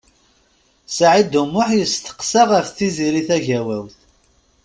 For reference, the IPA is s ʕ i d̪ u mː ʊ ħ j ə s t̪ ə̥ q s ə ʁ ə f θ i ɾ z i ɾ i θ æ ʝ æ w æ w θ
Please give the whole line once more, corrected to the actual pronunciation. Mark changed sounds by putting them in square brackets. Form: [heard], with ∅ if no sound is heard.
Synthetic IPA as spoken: s ʕ i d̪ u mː ʊ ħ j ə s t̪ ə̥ q s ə ʁ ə f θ i [∅] z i ɾ i θ æ ʝ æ w æ w θ

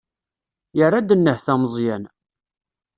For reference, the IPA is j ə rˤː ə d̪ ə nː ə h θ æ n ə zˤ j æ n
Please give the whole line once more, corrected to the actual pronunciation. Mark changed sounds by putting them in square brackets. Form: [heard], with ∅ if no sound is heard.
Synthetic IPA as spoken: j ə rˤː [a] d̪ ə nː ə h θ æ [m] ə zˤ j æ n

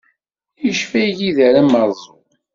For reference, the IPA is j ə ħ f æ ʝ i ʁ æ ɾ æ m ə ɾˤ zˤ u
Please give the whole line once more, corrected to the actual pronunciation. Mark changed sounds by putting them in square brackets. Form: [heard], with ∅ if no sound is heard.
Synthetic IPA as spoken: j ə [ʃ] f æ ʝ i [ð] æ ɾ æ m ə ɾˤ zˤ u

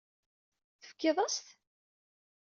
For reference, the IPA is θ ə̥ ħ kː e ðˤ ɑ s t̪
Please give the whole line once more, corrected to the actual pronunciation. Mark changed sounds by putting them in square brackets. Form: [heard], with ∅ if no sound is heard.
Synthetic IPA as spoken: θ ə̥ [f] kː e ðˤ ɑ s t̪

